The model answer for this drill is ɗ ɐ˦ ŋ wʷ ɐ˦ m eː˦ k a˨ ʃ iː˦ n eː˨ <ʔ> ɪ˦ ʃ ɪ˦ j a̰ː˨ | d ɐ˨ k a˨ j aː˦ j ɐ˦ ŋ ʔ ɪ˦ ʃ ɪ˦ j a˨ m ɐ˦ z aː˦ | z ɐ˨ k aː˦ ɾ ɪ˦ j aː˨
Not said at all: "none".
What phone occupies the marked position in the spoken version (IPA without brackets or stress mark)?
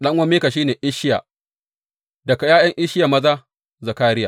ʔ